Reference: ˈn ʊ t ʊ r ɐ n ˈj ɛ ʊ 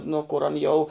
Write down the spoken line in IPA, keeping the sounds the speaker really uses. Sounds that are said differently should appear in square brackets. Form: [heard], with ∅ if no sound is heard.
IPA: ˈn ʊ [k] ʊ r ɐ n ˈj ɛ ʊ